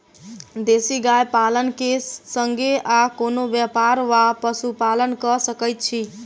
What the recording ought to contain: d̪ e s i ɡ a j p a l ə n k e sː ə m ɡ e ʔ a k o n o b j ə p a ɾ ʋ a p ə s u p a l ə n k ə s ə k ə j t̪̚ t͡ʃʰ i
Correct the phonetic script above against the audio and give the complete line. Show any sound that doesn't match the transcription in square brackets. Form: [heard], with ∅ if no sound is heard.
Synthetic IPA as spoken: d̪ e s i ɡ a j p a l ə n k e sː ə [ŋ] ɡ e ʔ a k o n o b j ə p a ɾ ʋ a p ə s u p a l ə n k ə s ə k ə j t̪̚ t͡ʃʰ i